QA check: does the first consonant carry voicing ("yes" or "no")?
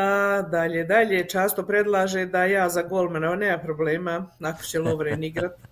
yes